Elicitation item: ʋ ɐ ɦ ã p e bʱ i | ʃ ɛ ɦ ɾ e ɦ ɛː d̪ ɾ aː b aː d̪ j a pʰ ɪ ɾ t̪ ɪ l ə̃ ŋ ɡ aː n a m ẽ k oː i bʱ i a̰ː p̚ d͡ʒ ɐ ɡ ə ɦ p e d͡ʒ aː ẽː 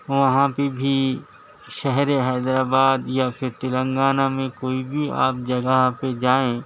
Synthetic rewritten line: ʋ ɐ ɦ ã p e bʱ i | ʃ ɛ ɦ ɾ e ɦ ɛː d̪ ɾ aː b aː d̪ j a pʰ ɪ ɾ t̪ ɪ l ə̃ ŋ ɡ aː n a m ẽ k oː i bʱ i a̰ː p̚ d͡ʒ ɐ ɡ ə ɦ p e d͡ʒ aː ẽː